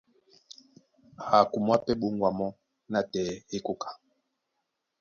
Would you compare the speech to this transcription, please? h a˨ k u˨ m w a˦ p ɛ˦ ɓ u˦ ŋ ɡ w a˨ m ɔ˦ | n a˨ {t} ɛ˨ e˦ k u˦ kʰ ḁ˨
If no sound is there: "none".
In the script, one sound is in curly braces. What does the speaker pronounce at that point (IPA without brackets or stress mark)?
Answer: t